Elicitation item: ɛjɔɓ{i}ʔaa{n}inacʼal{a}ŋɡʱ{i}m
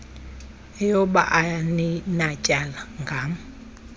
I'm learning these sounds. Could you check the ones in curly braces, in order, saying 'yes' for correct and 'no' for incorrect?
no, yes, yes, no

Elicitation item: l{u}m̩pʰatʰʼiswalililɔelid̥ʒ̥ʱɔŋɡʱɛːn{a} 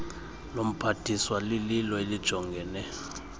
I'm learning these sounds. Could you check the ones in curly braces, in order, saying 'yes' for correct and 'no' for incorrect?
no, no

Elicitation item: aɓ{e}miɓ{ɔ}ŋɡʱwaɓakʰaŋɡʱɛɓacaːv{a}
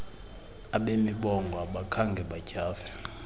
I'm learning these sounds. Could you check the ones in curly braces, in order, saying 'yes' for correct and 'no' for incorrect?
yes, yes, no

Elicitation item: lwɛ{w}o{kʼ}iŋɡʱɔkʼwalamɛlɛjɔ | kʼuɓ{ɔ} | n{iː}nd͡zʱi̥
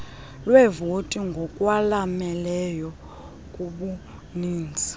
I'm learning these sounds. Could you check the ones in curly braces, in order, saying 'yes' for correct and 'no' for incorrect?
no, no, no, yes

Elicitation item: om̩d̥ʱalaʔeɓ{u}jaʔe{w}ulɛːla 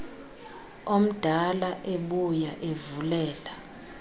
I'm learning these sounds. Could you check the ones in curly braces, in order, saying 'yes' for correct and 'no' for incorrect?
yes, no

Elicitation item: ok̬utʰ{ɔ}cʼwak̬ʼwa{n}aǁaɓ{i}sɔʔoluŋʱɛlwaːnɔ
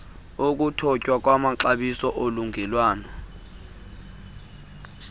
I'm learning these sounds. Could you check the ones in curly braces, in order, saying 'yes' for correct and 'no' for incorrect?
yes, no, yes

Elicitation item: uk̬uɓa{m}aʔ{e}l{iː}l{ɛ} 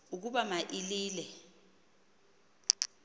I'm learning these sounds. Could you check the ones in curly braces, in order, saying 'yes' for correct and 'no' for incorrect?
yes, no, yes, yes

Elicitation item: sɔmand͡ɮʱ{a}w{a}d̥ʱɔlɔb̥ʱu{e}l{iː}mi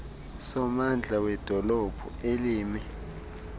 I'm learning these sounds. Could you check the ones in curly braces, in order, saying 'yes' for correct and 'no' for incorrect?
yes, no, yes, yes

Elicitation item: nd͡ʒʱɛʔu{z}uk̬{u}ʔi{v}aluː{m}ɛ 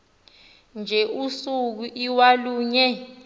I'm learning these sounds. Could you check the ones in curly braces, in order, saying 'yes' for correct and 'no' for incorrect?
no, yes, no, no

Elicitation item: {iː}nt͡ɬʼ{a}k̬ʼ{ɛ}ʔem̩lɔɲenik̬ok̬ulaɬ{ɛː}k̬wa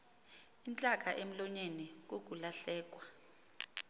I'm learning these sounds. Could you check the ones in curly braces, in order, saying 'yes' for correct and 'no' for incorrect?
no, yes, no, yes

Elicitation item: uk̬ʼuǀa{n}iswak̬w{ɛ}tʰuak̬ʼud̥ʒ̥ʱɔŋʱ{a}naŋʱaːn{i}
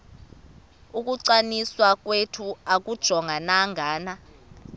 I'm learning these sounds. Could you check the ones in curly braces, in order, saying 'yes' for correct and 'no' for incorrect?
yes, no, yes, no

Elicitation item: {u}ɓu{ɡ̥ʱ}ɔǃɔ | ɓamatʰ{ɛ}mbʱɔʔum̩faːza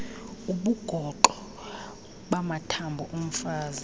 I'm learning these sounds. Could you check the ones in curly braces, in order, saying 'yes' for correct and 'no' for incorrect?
yes, yes, no

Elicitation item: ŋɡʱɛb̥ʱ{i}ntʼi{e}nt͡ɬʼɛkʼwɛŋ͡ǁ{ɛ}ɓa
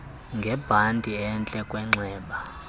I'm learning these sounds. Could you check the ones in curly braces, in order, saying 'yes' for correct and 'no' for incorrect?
no, no, no

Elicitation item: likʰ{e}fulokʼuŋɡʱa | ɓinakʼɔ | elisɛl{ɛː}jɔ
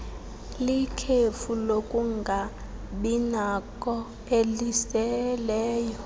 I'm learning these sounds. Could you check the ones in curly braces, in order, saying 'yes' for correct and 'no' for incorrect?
yes, yes

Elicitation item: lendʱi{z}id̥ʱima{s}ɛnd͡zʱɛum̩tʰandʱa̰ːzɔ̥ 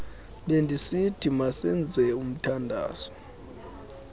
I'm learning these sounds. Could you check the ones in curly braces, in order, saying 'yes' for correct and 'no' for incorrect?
no, yes

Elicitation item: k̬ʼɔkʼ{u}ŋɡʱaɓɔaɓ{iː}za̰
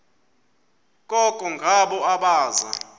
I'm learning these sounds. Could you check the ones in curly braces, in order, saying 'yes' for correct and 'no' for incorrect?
no, no

